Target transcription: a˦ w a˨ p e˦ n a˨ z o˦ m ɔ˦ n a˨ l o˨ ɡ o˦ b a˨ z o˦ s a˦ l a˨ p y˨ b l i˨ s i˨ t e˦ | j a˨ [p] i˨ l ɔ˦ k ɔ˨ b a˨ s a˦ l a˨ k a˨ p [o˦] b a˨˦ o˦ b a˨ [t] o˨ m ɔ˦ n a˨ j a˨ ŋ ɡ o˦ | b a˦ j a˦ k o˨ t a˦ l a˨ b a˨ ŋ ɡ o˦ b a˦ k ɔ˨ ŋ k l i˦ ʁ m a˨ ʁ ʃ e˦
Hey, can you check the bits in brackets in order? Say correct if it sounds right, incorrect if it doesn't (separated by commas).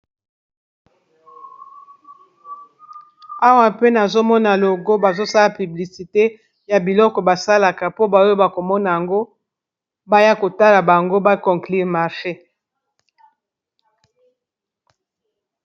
incorrect, correct, incorrect